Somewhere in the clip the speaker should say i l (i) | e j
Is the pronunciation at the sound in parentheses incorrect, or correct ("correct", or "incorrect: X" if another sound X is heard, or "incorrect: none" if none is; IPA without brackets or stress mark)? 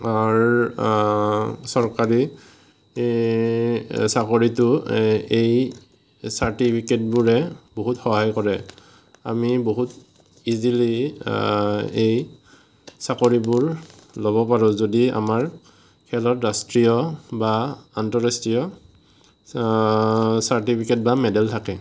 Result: correct